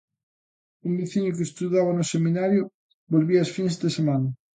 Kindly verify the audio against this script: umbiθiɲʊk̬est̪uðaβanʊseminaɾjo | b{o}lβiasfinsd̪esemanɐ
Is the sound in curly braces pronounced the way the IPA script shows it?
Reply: yes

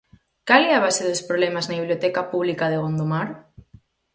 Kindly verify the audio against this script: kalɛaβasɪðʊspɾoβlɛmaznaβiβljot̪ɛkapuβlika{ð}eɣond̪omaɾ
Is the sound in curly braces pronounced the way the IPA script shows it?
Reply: yes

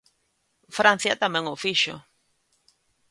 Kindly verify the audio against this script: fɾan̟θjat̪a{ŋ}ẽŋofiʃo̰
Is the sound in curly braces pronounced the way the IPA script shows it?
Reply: no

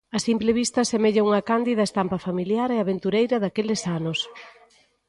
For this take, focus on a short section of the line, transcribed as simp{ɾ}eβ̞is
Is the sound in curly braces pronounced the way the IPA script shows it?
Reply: no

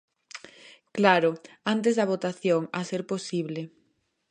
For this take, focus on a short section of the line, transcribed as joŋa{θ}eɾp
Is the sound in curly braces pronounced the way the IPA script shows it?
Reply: no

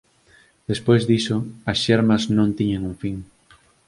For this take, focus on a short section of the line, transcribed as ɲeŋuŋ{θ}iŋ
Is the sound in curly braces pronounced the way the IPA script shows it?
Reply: no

